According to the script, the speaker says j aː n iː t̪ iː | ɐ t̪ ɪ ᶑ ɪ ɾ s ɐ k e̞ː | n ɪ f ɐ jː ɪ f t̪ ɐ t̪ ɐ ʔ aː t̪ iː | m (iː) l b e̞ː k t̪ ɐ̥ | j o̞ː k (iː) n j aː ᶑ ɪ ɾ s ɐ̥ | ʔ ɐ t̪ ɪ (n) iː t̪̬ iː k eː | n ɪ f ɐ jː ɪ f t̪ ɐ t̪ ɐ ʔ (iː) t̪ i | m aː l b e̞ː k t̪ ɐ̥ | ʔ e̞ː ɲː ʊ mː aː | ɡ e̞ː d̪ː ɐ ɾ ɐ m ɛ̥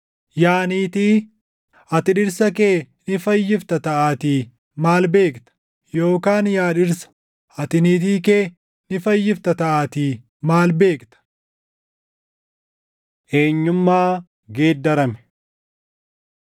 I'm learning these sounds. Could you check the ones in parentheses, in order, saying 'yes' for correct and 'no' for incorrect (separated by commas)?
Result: no, no, yes, no